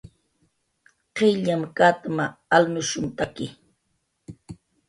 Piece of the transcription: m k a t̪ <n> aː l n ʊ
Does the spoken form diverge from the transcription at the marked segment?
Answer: yes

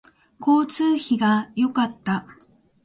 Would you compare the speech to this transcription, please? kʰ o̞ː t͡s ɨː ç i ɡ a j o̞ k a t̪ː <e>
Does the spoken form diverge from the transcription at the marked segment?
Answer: yes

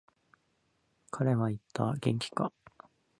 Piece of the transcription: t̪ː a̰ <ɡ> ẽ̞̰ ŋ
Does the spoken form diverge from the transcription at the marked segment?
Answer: no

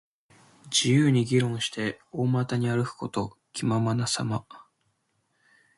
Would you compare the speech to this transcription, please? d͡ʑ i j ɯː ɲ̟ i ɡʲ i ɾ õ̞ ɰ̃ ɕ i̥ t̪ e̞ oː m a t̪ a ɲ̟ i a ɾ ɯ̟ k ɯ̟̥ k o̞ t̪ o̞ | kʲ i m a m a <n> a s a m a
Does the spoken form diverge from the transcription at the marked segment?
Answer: no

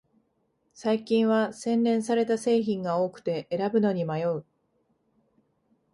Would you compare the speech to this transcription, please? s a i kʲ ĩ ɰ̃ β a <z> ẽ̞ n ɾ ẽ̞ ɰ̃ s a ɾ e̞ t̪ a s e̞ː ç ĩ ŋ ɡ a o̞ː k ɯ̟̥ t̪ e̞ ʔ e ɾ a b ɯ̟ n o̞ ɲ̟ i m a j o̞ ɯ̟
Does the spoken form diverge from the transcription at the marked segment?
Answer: yes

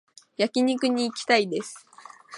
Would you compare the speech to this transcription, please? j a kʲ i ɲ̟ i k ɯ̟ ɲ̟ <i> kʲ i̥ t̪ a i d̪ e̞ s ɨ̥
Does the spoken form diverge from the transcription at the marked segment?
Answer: yes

